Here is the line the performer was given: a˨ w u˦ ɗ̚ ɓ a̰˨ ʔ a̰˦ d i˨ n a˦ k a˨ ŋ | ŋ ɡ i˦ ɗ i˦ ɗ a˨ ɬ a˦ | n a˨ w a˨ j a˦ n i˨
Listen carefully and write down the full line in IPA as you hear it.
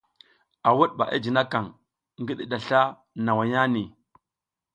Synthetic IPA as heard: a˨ w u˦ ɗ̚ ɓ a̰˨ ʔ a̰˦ d͡ʒ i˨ n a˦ k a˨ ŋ | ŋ ɡ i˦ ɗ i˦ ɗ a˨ ɬ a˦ | n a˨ w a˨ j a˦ n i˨